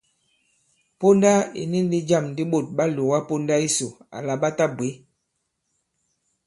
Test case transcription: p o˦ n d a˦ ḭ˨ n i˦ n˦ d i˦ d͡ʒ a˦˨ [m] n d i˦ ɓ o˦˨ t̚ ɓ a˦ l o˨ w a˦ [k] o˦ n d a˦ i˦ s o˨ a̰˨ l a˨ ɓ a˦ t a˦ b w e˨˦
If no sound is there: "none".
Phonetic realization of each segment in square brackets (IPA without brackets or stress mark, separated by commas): m, p